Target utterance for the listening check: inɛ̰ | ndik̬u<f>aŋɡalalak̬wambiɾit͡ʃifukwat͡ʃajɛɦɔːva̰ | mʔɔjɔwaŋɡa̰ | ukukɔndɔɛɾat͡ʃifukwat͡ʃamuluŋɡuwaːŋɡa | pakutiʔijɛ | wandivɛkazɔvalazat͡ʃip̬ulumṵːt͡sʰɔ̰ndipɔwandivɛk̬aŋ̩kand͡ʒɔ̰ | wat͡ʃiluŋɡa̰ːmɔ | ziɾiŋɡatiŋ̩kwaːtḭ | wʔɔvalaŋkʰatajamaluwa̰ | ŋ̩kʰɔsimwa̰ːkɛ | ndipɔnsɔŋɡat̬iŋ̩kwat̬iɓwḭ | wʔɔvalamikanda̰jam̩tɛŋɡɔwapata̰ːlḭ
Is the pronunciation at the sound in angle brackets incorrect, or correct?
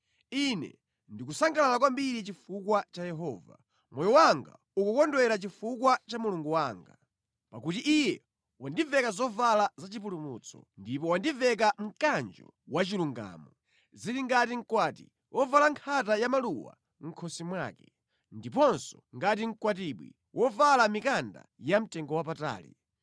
incorrect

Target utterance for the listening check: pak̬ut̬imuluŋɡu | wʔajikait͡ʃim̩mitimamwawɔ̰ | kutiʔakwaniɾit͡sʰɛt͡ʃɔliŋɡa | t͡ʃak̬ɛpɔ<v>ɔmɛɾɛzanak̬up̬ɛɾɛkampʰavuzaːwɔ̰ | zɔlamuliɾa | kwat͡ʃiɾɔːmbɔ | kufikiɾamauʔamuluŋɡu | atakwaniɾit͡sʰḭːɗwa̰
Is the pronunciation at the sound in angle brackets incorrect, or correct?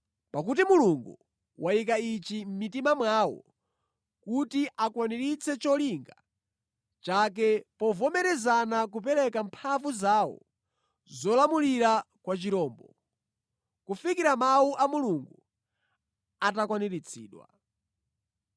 correct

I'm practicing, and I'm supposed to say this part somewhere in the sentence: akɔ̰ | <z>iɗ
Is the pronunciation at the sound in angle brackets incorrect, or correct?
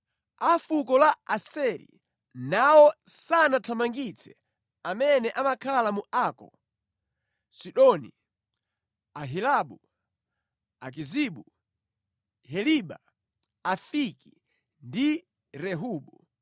incorrect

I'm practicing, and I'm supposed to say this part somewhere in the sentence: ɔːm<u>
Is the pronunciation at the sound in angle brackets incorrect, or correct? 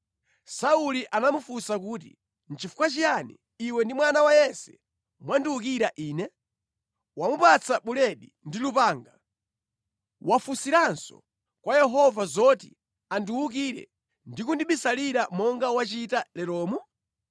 correct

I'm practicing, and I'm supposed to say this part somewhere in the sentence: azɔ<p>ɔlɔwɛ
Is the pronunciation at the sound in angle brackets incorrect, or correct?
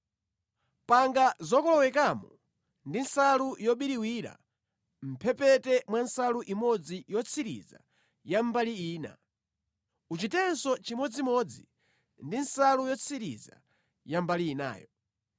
incorrect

